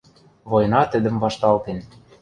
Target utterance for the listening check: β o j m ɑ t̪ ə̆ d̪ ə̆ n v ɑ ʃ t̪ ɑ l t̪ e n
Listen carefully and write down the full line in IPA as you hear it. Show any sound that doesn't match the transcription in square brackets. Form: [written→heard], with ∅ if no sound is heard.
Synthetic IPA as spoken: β o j [m→n] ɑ t̪ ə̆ d̪ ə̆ [n→m] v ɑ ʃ t̪ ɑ l t̪ e n